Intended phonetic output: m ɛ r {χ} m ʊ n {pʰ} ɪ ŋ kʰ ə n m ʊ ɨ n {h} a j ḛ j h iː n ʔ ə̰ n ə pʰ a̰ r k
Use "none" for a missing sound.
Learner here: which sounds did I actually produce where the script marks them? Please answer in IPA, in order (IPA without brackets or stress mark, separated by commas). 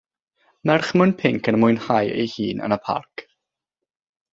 χ, pʰ, h